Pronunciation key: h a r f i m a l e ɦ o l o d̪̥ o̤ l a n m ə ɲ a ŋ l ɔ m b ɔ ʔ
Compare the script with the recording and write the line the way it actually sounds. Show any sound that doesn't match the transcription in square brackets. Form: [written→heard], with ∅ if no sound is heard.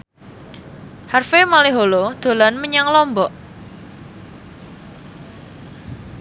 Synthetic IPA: h a r f [i→e] m a l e ɦ o l o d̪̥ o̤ l a n m ə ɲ a ŋ l ɔ m b ɔ ʔ